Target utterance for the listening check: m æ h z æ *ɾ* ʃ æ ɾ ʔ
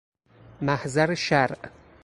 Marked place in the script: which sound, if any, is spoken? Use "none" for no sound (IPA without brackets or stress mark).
ɾ